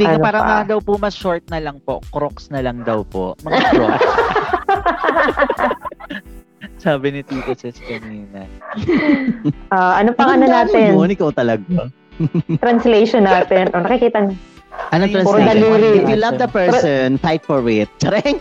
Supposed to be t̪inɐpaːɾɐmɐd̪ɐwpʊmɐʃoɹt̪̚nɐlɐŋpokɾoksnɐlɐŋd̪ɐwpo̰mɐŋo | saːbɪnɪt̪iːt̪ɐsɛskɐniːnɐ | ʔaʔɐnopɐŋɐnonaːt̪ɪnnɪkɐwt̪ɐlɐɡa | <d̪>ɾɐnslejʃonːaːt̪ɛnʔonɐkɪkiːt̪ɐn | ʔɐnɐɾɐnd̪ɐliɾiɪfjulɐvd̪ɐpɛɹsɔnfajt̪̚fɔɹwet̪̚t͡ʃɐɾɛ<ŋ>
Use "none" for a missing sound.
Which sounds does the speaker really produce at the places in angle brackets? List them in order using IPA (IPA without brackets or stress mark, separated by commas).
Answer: t̪, ŋ